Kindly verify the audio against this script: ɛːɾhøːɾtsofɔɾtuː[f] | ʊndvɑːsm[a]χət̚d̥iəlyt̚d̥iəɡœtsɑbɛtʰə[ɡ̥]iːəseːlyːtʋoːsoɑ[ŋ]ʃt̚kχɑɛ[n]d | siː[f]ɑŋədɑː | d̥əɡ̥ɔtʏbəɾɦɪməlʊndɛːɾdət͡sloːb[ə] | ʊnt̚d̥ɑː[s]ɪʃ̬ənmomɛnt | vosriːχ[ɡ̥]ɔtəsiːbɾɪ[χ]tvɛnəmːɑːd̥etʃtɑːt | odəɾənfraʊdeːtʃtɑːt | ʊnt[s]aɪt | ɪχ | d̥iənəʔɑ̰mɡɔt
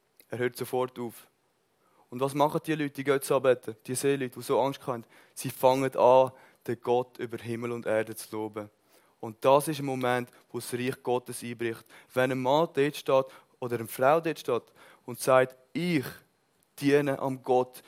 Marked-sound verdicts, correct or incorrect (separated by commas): correct, incorrect, incorrect, correct, correct, correct, correct, correct, correct, correct, correct